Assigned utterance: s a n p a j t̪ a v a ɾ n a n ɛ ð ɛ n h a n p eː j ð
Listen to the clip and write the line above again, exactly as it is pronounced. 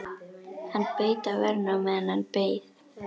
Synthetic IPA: h a n p e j t̪ a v ɛ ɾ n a m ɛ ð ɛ n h a n p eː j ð